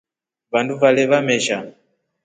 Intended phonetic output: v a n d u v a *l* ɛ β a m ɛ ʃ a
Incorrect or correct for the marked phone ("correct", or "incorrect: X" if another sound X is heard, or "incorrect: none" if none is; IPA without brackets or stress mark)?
correct